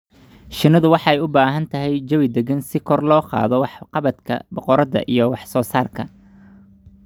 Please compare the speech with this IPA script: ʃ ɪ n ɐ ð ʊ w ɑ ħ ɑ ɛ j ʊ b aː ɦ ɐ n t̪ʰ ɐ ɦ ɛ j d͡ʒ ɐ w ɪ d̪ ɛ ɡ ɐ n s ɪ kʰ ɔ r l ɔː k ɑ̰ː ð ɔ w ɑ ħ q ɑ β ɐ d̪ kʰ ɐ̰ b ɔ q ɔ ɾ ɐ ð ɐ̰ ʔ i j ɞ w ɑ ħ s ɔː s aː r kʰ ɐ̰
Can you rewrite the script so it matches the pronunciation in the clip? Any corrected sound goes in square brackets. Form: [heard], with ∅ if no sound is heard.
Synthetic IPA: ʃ ɪ n ɐ ð ʊ w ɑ ħ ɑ ɛ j ʊ b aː ɦ ɐ n t̪ʰ ɐ ɦ ɛ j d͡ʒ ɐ w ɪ d̪ ɛ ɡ ɐ n s ɪ kʰ ɔ r l ɔː [q] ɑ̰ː ð ɔ w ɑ ħ q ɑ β ɐ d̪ kʰ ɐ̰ b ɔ q ɔ ɾ ɐ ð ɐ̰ ʔ i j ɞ w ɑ ħ s ɔː s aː r kʰ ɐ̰